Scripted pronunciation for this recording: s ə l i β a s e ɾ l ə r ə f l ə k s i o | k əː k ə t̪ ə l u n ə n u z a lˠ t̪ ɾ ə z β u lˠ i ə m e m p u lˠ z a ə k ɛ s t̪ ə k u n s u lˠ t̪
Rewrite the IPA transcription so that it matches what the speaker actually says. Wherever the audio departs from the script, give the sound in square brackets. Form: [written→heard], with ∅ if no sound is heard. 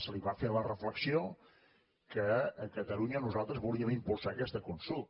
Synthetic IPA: s ə l i β a [s→f] e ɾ l ə r ə f l ə k s i o | k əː k ə t̪ ə l u [n→ɲ] ə n u z a lˠ t̪ ɾ ə z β u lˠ i ə m [e→i] m p u lˠ [z→s] a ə k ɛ s t̪ ə k u n s u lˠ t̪